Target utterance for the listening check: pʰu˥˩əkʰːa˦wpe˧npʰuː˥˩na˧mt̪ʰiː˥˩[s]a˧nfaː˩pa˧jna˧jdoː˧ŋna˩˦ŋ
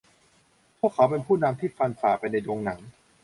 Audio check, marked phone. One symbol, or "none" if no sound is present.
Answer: f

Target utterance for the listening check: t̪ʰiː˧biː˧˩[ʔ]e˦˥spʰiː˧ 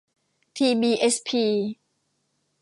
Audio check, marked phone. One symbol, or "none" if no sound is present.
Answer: ʔ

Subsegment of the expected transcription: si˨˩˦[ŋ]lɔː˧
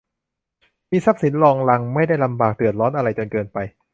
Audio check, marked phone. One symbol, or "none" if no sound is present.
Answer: n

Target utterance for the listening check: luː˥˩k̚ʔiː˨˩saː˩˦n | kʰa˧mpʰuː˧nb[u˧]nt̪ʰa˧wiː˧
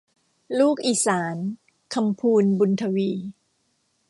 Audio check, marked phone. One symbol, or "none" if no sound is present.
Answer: u˧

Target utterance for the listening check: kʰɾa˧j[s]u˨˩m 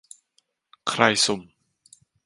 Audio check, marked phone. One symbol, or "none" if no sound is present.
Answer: s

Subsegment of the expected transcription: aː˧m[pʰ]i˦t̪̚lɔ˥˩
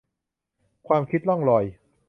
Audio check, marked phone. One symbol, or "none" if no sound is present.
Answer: kʰ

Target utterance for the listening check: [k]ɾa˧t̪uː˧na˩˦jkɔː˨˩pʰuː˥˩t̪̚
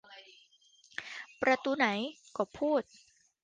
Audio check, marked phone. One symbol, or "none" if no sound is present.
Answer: p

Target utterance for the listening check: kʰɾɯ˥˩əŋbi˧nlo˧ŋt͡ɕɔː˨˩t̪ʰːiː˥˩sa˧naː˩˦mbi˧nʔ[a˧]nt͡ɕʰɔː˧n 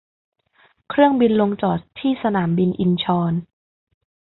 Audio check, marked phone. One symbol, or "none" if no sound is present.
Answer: i˧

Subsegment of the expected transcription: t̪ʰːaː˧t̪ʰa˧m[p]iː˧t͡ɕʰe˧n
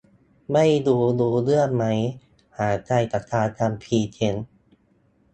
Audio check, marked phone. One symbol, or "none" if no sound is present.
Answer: pʰ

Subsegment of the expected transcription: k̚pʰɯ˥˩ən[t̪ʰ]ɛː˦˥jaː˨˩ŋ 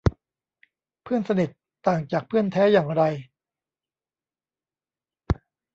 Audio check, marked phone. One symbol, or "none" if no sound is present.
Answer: t̪ʰ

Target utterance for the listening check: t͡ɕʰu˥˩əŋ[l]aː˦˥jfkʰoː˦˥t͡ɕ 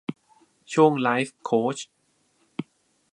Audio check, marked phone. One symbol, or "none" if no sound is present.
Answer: l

